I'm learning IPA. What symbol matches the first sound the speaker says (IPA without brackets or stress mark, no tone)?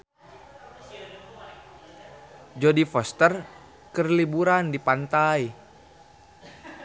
d͡ʒ